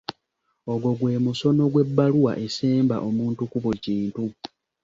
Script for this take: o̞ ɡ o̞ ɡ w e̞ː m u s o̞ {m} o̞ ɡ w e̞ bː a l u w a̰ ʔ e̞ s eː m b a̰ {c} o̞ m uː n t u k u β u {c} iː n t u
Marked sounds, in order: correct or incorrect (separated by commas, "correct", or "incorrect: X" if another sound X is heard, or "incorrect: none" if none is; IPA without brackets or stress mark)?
incorrect: n, incorrect: ʔ, correct